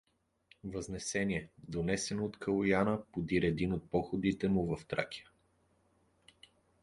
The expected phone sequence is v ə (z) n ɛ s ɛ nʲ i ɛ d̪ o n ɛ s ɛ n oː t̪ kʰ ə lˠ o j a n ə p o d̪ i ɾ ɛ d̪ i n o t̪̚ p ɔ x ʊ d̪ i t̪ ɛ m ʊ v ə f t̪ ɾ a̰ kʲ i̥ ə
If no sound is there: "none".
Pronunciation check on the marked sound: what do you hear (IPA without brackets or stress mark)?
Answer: z